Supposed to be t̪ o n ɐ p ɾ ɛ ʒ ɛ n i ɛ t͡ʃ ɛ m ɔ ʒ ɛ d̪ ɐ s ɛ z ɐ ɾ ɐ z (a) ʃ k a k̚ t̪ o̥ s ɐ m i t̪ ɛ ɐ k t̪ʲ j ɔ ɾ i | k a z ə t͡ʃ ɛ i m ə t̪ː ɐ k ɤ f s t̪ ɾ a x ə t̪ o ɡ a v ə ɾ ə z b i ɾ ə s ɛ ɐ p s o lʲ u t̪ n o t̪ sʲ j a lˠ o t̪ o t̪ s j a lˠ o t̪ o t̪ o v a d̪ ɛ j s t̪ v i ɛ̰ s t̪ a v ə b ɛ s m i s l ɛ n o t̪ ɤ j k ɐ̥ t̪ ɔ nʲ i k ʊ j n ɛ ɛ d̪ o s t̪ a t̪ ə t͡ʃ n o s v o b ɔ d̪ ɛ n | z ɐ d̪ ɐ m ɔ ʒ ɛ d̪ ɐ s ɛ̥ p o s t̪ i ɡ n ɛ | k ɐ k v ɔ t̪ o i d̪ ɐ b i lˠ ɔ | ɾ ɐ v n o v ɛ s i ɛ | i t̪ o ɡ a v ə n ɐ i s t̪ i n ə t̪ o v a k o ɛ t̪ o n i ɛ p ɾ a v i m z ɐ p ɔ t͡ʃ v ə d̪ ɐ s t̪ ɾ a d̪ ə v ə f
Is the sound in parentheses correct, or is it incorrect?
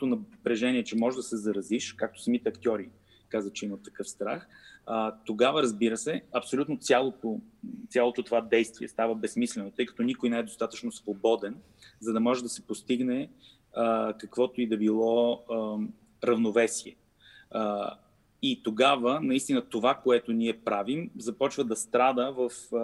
incorrect